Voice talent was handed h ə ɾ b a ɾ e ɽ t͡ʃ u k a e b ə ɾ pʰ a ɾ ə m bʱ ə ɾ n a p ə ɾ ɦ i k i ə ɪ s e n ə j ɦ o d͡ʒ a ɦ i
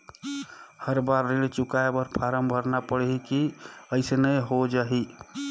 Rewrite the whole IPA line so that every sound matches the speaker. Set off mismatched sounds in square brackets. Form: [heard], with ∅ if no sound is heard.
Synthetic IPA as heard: h ə ɾ b a [ɾː] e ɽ t͡ʃ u k a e b ə ɾ pʰ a ɾ ə m bʱ ə ɾ n a p ə [ɽ] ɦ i k i ə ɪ s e n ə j ɦ o d͡ʒ a ɦ i